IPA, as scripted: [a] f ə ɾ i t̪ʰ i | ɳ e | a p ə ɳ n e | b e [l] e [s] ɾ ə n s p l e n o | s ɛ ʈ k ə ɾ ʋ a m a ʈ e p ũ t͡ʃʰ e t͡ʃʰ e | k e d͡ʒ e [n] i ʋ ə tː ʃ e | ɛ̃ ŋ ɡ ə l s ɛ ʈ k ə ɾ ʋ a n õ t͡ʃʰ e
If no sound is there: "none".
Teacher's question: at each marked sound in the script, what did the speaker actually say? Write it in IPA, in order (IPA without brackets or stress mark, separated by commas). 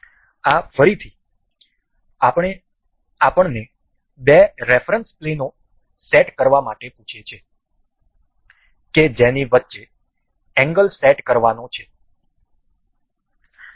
a, ɾ, f, n